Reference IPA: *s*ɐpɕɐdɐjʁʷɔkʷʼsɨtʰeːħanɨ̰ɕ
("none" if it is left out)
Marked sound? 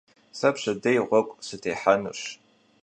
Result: s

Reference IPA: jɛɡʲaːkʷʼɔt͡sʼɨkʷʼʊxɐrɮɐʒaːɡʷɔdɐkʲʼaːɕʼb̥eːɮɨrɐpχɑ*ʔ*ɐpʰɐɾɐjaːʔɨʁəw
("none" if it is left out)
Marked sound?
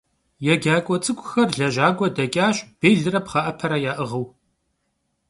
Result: ʔ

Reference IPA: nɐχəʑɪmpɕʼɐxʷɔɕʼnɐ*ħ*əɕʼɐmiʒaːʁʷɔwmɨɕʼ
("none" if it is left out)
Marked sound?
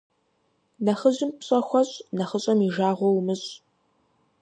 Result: χ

